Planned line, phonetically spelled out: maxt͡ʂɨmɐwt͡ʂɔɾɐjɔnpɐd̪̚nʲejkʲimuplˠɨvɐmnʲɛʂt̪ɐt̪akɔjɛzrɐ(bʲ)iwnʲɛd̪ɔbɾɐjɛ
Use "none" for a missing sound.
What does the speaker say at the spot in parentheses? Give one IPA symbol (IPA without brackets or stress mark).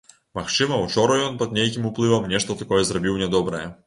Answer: bʲ